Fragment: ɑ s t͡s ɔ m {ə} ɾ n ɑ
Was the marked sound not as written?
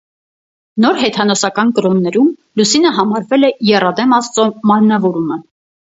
yes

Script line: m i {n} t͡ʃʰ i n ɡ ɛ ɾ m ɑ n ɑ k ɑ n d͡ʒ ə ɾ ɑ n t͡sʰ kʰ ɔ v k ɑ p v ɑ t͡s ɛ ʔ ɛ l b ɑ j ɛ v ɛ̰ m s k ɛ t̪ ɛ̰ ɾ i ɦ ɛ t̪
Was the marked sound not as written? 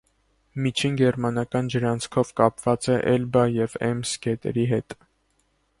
yes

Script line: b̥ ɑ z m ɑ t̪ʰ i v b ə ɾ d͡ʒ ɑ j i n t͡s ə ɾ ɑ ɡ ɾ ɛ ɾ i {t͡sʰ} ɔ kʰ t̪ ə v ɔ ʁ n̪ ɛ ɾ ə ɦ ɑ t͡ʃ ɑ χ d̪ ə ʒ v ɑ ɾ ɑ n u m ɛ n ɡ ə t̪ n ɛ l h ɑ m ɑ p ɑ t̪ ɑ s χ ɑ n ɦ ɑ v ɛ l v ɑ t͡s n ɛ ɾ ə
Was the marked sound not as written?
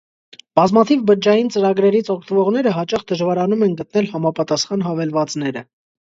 no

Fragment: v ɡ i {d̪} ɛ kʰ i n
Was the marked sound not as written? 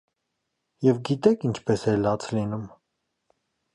yes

